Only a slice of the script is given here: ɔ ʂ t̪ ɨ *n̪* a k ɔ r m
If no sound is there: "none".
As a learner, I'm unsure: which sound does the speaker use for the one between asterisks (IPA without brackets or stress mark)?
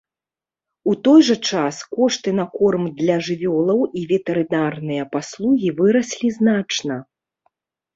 n̪